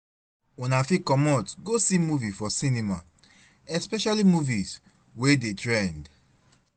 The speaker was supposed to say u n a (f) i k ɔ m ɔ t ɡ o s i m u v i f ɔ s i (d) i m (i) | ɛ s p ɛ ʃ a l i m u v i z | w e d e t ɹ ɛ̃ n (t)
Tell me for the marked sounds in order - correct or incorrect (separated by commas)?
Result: correct, incorrect, incorrect, incorrect